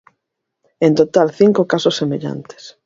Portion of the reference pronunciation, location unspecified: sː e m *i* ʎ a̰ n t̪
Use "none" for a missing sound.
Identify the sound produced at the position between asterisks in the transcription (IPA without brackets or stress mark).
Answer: e